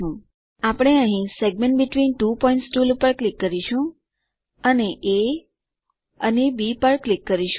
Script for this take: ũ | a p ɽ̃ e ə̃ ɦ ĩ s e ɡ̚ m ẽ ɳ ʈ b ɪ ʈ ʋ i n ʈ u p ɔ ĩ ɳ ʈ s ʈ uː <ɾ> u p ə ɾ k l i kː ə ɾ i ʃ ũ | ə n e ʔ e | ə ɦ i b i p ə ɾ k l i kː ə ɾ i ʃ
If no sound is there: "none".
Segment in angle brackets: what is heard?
l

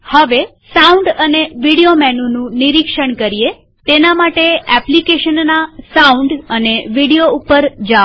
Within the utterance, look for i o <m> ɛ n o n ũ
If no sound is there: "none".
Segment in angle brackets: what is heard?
m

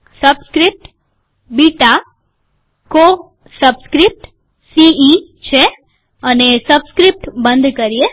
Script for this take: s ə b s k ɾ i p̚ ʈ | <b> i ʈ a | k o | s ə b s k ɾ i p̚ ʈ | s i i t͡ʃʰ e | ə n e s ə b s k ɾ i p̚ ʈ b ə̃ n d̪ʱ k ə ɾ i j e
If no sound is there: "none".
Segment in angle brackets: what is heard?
b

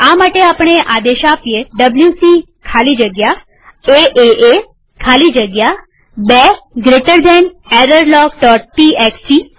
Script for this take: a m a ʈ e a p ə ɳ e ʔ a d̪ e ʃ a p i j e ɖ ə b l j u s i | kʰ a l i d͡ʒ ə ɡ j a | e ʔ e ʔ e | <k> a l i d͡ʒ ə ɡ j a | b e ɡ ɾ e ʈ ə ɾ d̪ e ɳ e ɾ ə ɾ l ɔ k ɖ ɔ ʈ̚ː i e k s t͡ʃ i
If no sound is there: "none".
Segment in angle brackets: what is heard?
kʰ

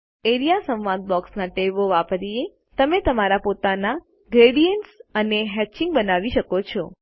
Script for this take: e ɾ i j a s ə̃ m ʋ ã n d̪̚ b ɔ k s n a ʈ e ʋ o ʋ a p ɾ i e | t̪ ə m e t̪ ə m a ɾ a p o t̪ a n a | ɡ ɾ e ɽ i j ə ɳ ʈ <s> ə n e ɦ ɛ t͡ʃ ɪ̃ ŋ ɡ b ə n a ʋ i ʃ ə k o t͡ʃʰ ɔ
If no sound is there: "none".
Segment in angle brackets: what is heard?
s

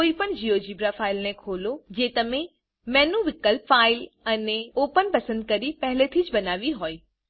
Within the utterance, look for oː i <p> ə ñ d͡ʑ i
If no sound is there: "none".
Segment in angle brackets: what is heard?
p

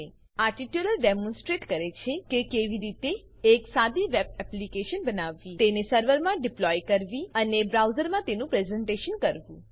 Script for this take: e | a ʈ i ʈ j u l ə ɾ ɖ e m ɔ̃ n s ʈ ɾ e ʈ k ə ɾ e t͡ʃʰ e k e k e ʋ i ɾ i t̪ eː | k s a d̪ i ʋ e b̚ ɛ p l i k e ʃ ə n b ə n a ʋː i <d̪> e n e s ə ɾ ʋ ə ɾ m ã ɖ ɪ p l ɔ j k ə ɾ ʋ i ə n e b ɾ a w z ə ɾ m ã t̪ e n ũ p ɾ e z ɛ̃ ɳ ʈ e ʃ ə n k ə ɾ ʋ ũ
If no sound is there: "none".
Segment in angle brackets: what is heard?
t̪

